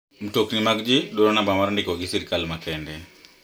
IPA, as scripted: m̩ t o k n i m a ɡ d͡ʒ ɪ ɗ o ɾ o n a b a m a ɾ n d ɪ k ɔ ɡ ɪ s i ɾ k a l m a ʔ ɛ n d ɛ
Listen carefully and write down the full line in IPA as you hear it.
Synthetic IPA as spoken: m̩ t o k n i m a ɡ d͡ʒ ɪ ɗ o ɾ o n a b a m a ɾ n d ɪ k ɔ ɡ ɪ s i ɾ k a l m a k ɛ n d ɛ

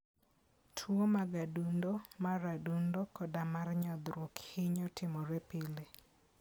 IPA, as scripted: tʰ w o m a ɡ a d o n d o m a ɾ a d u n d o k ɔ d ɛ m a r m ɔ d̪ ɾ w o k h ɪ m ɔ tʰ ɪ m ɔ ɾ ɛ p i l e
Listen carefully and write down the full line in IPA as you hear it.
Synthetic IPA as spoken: tʰ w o m a ɡ a d u n d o m a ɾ a d u n d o k ɔ d a m a r ɲ ɔ d̪ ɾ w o k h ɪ ɲ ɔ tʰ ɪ m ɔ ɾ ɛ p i l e

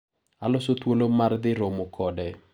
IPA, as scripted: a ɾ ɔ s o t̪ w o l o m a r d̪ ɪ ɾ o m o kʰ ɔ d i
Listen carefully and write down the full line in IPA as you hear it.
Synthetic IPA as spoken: a l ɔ s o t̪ w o l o m a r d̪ ɪ ɾ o m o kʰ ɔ d ɛ

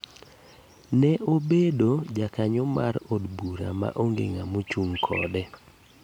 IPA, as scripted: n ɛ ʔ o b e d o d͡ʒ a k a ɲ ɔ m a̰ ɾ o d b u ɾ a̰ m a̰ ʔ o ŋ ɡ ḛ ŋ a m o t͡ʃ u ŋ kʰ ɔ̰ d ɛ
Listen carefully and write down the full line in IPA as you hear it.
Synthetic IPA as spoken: n ɛ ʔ o b e d o d͡ʒ a k a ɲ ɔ m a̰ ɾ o d b u ɾ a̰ m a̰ ʔ o ŋ ɡ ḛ ŋ a m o t͡ʃ u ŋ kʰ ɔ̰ d ɛ

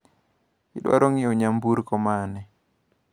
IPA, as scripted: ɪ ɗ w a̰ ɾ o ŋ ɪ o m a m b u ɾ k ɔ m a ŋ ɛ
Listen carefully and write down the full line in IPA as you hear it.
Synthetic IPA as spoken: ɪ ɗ w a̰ ɾ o ŋ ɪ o ɲ a m b u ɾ k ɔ m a n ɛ

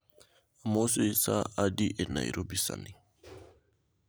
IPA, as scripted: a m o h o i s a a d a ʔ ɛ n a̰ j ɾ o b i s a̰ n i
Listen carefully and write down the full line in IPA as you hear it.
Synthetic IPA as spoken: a m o s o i s a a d i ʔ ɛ n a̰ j ɾ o b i s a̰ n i

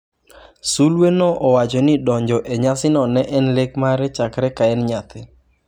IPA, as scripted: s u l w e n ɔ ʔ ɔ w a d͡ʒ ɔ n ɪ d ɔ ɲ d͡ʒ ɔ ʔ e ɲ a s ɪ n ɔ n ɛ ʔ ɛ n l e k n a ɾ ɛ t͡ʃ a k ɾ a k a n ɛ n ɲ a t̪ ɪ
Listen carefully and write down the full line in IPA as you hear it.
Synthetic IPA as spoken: s u l w e n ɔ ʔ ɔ w a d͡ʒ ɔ n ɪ d ɔ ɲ d͡ʒ ɔ ʔ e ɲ a s ɪ n ɔ n ɛ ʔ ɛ n l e k m a ɾ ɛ t͡ʃ a k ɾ ɛ k a ɛ n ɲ a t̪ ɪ

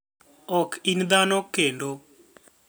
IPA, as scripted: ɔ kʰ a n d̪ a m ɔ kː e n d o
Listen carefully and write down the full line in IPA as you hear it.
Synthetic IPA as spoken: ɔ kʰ i n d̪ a n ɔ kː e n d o

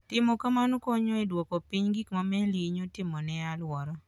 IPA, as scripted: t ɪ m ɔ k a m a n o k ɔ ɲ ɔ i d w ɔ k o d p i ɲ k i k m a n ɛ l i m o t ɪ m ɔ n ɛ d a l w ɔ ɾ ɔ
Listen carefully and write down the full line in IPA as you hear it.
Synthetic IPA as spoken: t ɪ m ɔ k a m a n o k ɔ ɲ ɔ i d w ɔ k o p i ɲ ɡ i k m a m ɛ l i ɲ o t ɪ m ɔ n ɛ a l w ɔ ɾ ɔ

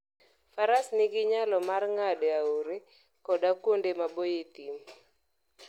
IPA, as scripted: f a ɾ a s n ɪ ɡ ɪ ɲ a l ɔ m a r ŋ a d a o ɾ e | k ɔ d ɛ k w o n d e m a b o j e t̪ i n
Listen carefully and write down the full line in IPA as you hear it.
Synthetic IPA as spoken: f a ɾ a s n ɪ ɡ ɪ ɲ a l ɔ m a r ŋ a d a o ɾ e | k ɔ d a k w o n d e m a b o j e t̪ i m

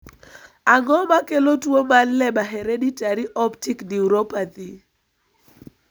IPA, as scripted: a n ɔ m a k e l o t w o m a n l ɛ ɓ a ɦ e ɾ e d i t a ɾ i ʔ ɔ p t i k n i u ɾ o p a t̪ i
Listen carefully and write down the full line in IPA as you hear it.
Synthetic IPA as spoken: a ŋ ɔ m a k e l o t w o m a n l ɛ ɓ a ɦ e ɾ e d i t a ɾ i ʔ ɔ p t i k n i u ɾ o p a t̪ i

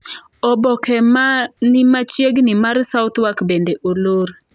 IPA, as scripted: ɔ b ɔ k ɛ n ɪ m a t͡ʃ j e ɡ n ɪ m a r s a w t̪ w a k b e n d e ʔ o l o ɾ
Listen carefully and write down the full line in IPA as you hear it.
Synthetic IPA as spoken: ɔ b ɔ k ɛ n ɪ m a t͡ʃ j e ɡ n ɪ m a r s a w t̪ w a k b e n d e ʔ o l o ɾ

